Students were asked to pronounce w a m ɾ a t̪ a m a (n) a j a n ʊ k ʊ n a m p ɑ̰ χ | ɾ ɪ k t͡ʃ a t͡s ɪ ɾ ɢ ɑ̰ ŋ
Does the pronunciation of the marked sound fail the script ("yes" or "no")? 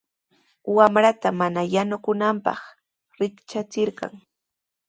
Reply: no